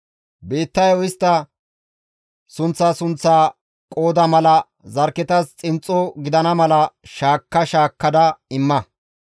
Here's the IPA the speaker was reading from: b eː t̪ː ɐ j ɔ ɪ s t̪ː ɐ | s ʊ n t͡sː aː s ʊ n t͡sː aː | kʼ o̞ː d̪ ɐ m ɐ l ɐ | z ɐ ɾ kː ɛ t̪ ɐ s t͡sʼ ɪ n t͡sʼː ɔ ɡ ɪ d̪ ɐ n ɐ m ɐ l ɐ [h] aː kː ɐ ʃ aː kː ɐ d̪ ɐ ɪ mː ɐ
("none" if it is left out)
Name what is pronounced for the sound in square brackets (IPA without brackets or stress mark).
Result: ʃ